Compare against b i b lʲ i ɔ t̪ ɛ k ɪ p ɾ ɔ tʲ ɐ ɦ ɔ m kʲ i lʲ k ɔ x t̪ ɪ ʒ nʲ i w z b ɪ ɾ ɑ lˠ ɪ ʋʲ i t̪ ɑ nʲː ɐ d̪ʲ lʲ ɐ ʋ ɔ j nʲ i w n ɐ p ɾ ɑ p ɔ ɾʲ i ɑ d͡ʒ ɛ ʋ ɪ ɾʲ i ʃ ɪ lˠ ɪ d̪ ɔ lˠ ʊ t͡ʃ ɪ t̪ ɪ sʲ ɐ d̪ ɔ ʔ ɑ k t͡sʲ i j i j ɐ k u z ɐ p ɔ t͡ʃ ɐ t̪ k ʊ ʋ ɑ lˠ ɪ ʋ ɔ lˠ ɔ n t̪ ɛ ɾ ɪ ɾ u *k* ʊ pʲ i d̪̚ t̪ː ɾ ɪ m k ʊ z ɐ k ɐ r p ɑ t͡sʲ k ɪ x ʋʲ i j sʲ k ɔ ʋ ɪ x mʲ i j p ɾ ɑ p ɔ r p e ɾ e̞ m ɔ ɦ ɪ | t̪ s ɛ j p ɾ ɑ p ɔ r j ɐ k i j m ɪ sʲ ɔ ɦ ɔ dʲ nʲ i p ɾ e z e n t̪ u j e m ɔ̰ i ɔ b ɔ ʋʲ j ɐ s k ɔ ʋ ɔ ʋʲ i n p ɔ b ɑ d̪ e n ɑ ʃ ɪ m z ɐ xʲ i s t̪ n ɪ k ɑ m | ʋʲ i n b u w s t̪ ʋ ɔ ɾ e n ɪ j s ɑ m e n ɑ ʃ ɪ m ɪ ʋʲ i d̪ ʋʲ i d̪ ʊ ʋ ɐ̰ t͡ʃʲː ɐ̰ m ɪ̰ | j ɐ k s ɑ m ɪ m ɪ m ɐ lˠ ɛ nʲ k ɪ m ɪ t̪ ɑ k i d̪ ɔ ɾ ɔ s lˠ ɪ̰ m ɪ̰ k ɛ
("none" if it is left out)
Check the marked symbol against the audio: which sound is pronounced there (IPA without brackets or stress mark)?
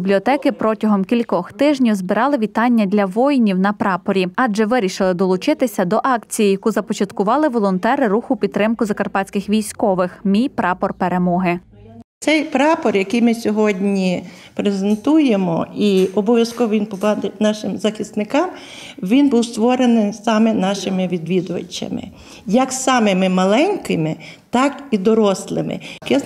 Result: x